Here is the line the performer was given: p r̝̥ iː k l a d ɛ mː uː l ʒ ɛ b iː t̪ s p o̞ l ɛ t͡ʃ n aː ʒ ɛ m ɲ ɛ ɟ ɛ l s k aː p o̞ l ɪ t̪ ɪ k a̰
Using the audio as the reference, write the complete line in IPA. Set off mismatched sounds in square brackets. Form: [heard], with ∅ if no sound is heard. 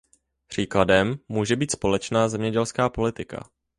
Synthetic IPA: p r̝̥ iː k l a d ɛ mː uː [∅] ʒ ɛ b iː t̪ s p o̞ l ɛ t͡ʃ n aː [z] ɛ m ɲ ɛ ɟ ɛ l s k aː p o̞ l ɪ t̪ ɪ k a̰